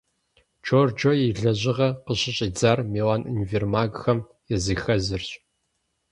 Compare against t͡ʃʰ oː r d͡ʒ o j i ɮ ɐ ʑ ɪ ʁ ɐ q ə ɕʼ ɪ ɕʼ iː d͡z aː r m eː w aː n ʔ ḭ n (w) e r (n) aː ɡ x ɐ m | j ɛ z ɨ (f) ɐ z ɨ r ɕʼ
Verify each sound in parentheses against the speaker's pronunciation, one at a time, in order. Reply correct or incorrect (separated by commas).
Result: incorrect, incorrect, incorrect